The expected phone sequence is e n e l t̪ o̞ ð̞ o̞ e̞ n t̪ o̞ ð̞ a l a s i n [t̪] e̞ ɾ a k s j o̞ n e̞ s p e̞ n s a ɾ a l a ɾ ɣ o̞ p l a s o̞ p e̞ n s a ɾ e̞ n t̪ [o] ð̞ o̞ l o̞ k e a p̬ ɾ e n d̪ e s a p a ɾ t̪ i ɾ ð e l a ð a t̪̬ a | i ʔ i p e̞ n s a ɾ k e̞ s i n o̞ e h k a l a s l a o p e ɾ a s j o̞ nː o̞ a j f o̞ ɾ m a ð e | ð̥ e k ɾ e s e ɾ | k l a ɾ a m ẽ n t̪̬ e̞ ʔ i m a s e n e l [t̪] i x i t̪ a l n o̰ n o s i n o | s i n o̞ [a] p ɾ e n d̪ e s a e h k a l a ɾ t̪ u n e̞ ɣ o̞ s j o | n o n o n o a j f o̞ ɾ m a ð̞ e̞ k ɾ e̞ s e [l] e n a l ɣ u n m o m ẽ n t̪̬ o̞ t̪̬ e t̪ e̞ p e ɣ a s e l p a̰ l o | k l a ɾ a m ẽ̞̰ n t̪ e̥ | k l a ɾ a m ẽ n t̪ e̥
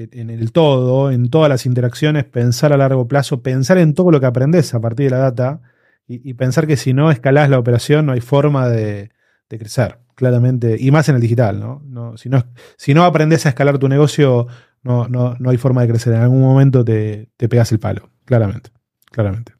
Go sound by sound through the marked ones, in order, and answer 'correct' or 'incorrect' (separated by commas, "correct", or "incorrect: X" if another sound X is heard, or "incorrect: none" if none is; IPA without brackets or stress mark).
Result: correct, correct, incorrect: d̪, correct, incorrect: ɾ